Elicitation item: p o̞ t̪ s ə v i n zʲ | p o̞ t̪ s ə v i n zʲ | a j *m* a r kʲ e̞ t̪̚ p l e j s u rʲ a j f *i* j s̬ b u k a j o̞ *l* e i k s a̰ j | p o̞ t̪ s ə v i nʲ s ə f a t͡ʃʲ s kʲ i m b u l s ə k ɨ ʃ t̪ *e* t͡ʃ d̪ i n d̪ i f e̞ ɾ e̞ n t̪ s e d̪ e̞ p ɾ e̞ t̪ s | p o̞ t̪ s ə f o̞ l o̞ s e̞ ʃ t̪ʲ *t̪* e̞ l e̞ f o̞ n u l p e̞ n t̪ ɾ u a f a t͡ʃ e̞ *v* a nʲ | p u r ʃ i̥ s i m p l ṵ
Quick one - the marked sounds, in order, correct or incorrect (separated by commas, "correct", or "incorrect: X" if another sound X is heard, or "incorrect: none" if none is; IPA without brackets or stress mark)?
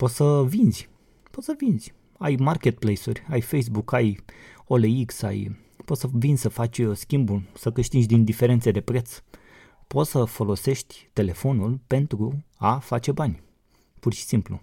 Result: correct, incorrect: e, correct, incorrect: i, correct, incorrect: b